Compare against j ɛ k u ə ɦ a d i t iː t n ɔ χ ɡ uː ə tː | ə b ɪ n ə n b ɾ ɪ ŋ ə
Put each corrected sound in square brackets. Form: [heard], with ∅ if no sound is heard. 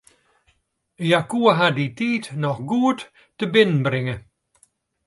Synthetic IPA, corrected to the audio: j [a] k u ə ɦ a d i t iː t n ɔ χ ɡ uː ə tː | ə b ɪ n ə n b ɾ ɪ ŋ ə